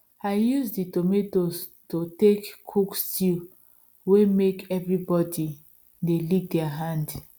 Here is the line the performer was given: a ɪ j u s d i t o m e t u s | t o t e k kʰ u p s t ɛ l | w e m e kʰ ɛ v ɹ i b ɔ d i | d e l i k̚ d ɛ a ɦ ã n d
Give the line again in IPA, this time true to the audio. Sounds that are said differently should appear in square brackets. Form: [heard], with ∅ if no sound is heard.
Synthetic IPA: a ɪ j u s d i t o m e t [o] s | t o t e k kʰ u [k] s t [i] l | w e m e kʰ ɛ v ɹ i b ɔ d i | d e l i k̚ d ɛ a ɦ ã n d